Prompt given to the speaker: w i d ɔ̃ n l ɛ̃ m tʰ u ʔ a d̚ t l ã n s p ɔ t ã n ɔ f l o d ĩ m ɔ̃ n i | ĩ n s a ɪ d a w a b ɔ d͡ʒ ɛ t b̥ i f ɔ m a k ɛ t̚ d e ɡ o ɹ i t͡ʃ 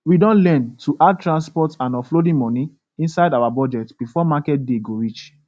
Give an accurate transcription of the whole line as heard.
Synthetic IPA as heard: w i d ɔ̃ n l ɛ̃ n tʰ u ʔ a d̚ t ɹ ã n s p ɔ t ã n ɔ f l o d ĩ m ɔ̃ n i | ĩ n s a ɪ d a w a b ɔ d͡ʒ ɛ t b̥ i f ɔ m a k ɛ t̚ d e ɡ o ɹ i t͡ʃ